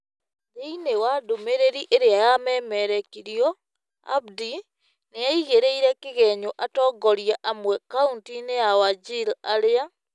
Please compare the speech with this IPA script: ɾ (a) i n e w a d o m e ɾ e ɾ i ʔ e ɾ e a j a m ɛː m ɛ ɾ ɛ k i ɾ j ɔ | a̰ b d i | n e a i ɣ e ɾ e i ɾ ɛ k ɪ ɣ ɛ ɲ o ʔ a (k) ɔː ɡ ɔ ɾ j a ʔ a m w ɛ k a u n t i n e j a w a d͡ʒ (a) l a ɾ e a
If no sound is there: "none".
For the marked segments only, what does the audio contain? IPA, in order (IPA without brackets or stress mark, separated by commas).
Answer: e, t, i